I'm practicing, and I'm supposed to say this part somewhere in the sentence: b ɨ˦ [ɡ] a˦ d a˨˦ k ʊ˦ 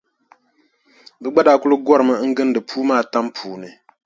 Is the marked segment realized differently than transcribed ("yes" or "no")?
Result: yes